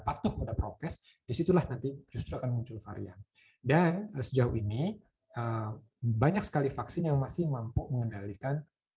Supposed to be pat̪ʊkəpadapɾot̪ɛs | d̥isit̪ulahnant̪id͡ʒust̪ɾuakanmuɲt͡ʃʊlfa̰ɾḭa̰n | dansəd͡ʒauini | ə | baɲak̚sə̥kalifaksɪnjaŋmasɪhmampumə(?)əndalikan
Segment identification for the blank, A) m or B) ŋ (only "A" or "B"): B